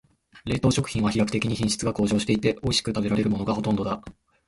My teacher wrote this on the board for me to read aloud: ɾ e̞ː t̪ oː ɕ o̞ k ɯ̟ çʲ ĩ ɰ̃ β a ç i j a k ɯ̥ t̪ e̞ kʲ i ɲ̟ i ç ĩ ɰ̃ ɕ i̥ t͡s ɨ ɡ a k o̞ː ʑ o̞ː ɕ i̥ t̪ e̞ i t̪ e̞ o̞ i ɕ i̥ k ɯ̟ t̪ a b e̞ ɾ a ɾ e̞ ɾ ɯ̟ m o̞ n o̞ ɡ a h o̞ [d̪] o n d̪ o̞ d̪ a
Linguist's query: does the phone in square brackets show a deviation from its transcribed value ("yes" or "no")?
yes